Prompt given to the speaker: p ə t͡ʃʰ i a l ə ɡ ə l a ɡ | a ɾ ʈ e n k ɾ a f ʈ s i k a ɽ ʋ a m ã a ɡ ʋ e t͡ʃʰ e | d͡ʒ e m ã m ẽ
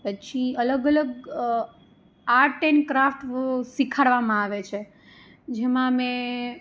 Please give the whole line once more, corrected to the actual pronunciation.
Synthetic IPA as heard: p ə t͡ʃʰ i ə l ə ɡ ə l ə ɡ | a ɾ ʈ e n k ɾ a f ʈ s i kʰ a ɽ ʋ a m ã a ʋ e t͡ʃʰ e | d͡ʒ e m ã m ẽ